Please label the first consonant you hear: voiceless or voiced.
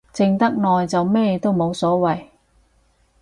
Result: voiceless